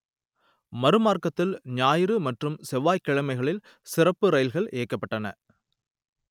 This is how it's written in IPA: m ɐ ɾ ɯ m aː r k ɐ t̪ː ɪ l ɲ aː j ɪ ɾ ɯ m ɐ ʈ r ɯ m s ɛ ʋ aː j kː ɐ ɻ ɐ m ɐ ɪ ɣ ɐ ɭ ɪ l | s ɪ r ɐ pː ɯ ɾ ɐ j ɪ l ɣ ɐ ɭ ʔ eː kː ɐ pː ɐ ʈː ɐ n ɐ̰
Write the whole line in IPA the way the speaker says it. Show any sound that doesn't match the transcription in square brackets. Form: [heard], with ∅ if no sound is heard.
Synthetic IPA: m ɐ ɾ ɯ m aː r k ɐ t̪ː ɪ l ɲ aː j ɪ ɾ ɯ m ɐ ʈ r ɯ m s ɛ ʋ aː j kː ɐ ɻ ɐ m ɐ ɪ ɣ ɐ ɭ ɪ l | s ɪ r ɐ pː ɯ ɾ ɐ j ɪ l ɣ ɐ ɭ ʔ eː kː ɐ pː ɐ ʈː ɐ n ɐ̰